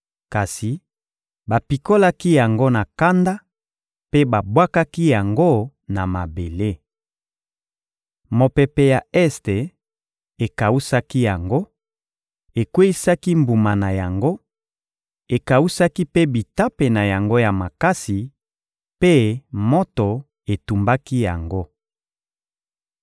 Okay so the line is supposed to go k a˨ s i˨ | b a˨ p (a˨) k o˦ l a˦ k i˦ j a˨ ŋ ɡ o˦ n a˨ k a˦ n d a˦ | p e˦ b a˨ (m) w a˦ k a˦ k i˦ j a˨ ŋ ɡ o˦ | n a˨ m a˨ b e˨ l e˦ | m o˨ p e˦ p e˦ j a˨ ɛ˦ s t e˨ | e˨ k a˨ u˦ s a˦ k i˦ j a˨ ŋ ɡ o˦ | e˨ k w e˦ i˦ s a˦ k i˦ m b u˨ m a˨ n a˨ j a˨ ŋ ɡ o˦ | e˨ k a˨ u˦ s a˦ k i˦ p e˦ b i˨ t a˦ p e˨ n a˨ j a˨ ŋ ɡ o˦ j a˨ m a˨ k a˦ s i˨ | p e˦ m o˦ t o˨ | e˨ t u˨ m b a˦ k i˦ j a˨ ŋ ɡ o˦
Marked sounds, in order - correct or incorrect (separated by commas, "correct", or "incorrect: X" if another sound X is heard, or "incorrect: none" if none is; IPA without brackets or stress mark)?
incorrect: i˨, incorrect: b